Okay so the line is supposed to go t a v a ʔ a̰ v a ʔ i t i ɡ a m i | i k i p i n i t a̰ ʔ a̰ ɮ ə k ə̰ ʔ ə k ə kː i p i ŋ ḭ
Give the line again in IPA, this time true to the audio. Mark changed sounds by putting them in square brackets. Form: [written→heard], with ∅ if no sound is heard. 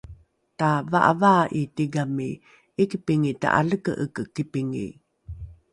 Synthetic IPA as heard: t a v a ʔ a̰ v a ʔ i t i ɡ a m i | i k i p i [n→ŋ] i t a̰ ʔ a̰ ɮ ə k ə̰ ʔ ə k ə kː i p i ŋ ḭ